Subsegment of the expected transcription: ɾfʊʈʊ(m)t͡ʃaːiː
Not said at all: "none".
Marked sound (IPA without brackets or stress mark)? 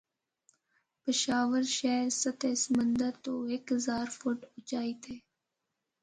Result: none